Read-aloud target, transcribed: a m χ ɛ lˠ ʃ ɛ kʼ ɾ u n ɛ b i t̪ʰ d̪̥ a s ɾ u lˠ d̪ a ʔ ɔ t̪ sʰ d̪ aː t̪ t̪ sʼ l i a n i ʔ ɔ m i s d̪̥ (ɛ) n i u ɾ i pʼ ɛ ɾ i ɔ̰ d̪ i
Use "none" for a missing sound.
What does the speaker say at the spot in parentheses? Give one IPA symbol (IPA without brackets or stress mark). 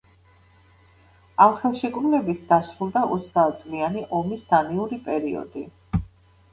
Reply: a